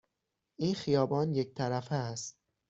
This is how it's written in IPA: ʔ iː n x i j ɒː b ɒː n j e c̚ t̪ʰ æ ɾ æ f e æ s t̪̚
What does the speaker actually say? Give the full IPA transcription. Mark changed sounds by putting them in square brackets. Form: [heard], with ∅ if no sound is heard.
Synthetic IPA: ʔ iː n x i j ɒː b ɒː n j e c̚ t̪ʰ æ ɾ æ f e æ s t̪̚